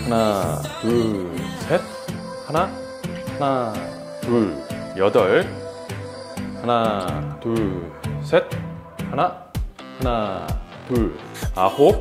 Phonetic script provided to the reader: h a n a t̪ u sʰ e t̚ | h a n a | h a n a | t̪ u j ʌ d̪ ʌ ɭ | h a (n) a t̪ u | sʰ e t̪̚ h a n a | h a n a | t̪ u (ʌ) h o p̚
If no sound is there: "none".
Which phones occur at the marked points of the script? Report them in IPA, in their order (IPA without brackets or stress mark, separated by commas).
n, a